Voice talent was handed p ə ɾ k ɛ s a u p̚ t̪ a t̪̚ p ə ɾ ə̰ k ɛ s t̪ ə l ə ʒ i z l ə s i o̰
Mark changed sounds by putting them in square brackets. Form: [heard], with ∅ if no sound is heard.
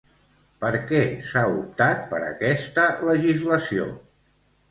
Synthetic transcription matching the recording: p ə ɾ k ɛ s a u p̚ t̪ a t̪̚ p ə ɾ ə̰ k ɛ s t̪ ə l ə ʒ i z l ə s i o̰